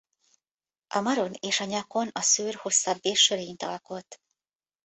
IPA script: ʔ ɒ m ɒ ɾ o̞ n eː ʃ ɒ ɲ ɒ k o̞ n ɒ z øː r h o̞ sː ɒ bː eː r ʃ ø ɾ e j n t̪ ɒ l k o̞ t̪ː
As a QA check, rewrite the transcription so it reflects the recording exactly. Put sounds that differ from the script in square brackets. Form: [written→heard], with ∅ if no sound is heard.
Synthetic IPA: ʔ ɒ m ɒ ɾ o̞ n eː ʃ ɒ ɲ ɒ k o̞ n ɒ [z→s] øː r h o̞ sː ɒ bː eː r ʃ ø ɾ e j n t̪ ɒ l k o̞ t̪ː